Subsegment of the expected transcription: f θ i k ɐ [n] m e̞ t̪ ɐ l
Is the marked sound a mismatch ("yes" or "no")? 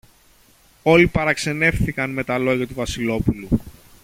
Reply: no